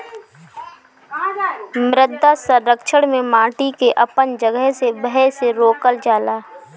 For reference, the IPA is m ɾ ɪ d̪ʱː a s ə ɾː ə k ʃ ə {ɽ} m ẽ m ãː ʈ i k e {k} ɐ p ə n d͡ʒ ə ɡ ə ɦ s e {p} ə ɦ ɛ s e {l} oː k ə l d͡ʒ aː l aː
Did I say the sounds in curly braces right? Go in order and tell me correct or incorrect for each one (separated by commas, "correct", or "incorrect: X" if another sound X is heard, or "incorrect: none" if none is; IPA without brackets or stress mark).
correct, incorrect: ʔ, incorrect: b, incorrect: ɾ